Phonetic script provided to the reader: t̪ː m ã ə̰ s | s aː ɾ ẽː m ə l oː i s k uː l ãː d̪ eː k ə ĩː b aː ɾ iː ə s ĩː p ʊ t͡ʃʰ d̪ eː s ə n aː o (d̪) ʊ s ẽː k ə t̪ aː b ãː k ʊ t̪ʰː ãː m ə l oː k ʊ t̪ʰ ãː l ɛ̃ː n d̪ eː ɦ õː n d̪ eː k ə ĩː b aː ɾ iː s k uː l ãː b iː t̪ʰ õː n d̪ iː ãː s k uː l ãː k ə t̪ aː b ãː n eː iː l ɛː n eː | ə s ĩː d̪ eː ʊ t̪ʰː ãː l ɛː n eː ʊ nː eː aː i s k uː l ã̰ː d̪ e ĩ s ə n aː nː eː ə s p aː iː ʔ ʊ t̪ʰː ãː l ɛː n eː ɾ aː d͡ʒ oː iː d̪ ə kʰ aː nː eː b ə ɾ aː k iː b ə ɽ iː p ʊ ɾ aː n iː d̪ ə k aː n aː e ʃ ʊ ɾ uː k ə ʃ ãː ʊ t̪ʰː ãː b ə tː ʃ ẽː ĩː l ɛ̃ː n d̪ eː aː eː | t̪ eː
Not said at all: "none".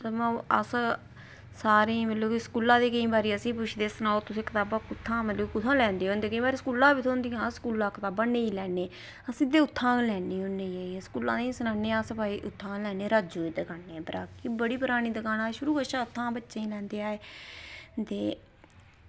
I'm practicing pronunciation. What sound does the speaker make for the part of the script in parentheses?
t̪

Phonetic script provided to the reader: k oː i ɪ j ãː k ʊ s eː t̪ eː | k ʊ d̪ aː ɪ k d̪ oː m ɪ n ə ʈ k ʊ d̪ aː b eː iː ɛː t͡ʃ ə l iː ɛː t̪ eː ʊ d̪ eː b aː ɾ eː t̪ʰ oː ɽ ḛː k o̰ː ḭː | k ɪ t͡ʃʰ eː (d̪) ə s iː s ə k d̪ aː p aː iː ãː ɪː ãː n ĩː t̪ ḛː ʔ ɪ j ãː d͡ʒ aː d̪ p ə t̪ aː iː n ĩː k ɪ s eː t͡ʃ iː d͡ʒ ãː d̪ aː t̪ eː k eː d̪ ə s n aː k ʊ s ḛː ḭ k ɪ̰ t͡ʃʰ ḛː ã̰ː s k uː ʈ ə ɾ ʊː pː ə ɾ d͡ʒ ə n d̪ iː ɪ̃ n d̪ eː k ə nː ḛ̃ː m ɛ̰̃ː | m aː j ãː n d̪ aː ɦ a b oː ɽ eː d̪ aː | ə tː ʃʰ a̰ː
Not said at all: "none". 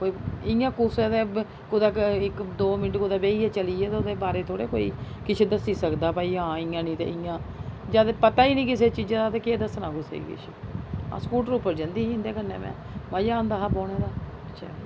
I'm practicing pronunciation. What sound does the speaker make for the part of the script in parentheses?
d̪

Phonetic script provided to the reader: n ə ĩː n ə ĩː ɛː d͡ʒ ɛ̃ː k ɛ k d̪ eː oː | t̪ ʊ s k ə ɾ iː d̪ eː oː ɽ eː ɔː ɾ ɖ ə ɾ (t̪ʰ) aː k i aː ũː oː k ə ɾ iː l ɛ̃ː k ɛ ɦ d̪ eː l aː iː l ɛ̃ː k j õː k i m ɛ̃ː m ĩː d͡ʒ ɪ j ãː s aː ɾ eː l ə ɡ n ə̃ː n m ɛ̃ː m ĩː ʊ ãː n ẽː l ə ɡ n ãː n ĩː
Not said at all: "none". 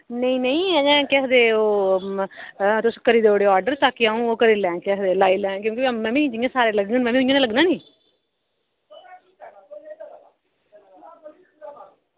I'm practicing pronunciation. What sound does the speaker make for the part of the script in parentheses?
t̪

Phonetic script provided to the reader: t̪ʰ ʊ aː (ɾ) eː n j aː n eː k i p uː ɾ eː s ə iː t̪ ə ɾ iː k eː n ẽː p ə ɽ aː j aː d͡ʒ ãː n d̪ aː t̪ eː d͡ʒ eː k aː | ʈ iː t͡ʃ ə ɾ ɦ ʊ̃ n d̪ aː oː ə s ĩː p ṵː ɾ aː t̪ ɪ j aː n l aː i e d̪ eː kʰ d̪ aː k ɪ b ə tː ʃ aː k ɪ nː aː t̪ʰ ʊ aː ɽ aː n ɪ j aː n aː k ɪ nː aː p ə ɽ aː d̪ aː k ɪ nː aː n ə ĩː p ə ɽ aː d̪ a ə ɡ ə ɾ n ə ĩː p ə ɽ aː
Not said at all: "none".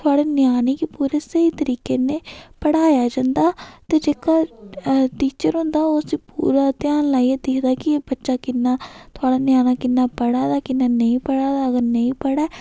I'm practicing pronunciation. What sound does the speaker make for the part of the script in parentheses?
ɽ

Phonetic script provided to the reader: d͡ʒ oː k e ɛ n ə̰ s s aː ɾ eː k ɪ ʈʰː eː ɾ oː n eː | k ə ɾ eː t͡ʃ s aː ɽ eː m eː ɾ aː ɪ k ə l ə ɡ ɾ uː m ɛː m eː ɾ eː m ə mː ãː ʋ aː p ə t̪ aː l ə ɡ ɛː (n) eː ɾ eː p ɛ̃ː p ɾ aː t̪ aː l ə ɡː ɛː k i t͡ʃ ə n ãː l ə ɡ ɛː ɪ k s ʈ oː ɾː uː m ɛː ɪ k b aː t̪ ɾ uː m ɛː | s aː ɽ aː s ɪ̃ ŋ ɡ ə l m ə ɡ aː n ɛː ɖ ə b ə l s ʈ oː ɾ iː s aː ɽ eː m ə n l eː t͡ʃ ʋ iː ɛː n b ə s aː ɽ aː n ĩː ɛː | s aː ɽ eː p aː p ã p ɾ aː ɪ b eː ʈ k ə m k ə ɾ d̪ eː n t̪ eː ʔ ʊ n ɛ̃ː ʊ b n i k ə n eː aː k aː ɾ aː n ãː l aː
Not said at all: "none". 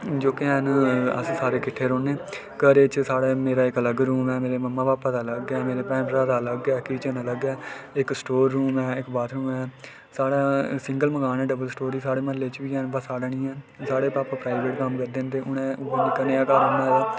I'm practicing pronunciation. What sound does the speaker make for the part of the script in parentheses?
m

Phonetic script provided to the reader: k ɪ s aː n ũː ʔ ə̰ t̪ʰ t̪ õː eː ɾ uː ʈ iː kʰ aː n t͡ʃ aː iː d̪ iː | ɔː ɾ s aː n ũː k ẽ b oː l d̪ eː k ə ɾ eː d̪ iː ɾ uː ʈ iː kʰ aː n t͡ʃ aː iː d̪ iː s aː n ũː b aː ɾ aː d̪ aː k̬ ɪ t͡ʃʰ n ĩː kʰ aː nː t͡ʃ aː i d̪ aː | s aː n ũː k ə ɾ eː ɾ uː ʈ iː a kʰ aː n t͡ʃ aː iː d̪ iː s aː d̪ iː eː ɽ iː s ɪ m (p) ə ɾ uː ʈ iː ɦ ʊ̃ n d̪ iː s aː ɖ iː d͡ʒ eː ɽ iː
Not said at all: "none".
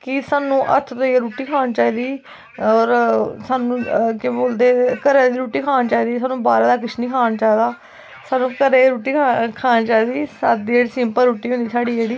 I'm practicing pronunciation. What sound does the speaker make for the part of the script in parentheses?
p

